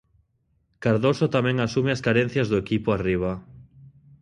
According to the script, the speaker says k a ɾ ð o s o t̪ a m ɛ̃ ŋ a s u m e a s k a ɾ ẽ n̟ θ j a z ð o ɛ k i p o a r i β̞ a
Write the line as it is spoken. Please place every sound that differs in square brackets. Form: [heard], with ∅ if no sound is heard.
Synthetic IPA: k a ɾ ð o s o t̪ a m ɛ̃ ŋ a s u m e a s k a ɾ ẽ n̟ θ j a z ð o [e] k i p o a r i β̞ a